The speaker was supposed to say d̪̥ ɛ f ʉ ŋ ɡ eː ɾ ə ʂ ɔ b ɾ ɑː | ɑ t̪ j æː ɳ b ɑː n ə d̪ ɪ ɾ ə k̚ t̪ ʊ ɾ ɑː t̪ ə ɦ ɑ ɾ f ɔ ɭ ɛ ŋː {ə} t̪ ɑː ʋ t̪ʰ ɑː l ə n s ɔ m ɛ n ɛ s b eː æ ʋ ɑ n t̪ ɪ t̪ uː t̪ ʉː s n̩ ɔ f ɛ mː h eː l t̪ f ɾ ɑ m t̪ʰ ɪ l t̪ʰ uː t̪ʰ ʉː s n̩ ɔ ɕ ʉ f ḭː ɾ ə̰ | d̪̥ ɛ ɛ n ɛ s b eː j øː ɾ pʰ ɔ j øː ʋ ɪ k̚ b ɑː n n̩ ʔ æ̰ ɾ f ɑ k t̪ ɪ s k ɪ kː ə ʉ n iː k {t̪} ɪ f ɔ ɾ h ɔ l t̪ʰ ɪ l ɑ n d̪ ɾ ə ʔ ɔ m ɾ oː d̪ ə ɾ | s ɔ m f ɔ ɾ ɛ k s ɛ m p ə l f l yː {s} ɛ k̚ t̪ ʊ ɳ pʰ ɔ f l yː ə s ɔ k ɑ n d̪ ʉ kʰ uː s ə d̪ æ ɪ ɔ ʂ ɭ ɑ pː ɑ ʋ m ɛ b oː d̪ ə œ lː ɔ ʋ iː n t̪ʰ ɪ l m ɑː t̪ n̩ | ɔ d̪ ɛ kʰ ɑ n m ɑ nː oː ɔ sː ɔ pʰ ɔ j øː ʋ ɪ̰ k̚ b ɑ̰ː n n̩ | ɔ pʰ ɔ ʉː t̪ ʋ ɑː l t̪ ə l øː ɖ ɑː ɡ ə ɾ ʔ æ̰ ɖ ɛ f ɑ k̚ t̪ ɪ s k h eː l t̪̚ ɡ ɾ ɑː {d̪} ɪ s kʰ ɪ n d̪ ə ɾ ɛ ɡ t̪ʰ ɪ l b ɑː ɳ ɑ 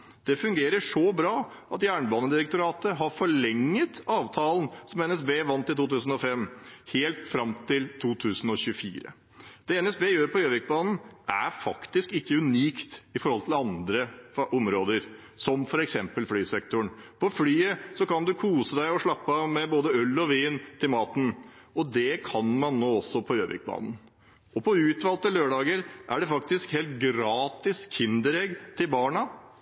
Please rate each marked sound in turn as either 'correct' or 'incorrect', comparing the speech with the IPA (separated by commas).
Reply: correct, correct, correct, incorrect